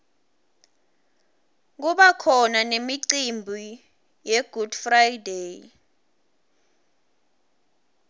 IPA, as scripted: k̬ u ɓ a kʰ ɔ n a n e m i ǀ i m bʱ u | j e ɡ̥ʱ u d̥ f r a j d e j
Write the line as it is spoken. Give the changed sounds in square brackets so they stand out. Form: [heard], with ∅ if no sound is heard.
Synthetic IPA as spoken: k̬ u ɓ a kʰ ɔ n a n e m i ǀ i m bʱ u | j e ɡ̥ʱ u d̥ f r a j d e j

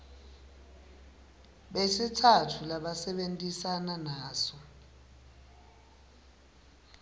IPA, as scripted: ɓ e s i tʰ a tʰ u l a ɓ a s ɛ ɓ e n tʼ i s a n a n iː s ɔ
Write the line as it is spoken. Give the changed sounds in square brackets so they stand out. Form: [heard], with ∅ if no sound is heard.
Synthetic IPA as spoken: ɓ e s i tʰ a tʰ u l a ɓ a s ɛ ɓ e n tʼ i s a n a n [aː] s ɔ

